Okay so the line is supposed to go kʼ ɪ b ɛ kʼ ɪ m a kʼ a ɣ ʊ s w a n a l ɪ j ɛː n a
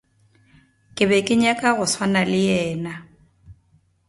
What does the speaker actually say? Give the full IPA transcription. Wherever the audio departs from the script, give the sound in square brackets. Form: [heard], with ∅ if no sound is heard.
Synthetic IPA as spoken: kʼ ɪ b ɛ kʼ ɪ [ɲ] a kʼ a ɣ ʊ s w a n a l ɪ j ɛː n a